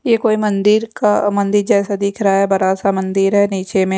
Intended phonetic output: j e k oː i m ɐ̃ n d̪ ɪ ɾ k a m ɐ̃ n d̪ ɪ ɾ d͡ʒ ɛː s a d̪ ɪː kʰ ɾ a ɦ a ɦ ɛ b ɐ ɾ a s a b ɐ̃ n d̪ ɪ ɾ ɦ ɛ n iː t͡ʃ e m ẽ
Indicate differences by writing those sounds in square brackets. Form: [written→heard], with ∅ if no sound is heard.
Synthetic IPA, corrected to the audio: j e k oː i m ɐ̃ n d̪ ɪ ɾ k a m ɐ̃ n d̪ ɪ ɾ d͡ʒ ɛː s a d̪ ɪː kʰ ɾ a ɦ a ɦ ɛ b ɐ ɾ a s a [b→m] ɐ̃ n d̪ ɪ ɾ ɦ ɛ n iː t͡ʃ e m ẽ